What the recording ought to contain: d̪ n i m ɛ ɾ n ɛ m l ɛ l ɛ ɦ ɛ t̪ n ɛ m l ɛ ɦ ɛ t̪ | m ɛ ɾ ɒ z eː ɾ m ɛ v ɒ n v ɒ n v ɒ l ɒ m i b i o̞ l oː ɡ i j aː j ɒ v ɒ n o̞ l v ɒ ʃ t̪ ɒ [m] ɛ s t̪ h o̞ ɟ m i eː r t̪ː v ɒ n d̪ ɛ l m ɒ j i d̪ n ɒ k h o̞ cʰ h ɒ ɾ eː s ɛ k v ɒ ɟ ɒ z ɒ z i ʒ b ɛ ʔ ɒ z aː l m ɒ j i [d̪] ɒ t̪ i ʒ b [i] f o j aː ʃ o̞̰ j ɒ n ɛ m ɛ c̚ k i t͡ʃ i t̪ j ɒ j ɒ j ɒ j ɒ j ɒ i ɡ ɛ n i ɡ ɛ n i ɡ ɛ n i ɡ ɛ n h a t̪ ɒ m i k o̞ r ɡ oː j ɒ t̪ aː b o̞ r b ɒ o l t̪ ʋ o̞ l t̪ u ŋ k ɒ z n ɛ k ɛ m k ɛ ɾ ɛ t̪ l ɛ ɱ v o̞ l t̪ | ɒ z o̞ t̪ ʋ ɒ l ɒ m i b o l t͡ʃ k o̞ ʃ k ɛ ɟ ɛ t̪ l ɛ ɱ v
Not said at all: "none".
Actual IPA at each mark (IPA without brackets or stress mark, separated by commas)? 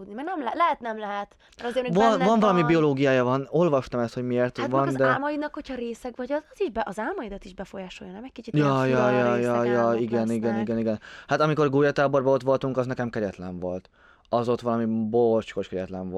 m, d̪, ɛ